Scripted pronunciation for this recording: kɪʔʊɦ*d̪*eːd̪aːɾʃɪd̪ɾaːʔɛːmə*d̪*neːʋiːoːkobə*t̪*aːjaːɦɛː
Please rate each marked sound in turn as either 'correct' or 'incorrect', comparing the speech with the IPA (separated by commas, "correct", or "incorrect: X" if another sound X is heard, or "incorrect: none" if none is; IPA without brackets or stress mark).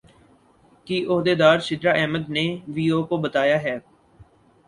correct, correct, correct